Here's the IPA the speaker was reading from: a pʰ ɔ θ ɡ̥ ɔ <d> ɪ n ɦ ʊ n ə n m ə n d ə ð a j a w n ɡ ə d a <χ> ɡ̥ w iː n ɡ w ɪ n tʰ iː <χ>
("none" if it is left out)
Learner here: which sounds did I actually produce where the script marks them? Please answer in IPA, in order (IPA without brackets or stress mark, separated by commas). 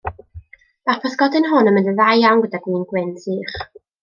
d, none, χ